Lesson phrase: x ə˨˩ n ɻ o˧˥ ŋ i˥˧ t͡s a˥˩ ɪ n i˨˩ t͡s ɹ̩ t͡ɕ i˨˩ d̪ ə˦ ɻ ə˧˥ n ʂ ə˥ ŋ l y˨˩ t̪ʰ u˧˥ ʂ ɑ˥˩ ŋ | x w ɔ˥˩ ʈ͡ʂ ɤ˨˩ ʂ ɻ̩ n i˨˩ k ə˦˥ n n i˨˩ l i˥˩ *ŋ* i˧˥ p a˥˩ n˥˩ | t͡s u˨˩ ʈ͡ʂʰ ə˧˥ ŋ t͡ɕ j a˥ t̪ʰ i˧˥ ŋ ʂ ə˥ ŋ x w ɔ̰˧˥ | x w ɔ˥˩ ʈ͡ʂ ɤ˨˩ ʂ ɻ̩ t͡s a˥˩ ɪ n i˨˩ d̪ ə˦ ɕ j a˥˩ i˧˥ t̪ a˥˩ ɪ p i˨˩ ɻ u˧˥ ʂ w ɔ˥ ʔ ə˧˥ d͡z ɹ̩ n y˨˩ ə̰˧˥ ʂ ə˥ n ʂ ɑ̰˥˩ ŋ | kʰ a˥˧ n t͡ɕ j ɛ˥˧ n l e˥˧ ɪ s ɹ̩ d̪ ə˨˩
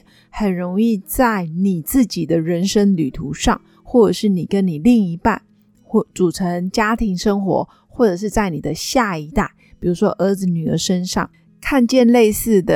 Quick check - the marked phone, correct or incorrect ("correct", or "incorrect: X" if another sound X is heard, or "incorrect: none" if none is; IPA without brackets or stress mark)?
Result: correct